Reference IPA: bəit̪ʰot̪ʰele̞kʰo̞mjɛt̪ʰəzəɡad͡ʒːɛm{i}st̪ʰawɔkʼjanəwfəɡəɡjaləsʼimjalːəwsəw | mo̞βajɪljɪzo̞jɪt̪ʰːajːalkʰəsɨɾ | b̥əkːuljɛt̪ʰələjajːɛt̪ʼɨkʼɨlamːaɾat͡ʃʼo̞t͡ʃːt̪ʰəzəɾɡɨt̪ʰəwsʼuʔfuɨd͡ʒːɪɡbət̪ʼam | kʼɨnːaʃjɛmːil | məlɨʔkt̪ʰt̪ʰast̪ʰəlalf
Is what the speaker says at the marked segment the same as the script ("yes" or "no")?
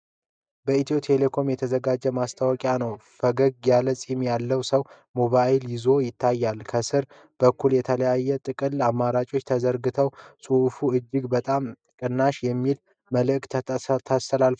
no